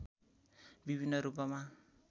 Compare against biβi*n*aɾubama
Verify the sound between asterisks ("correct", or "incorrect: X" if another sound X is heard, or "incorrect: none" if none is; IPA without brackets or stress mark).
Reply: correct